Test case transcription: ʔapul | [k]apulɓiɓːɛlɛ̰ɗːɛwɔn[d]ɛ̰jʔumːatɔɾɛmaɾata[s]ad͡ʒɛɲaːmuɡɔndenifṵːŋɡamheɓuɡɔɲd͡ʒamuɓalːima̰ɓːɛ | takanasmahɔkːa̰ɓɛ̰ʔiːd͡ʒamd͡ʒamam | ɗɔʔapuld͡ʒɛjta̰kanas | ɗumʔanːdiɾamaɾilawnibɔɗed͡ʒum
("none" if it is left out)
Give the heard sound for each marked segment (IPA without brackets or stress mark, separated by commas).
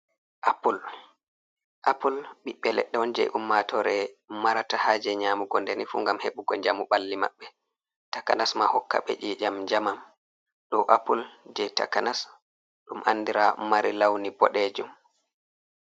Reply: ʔ, d͡ʒ, h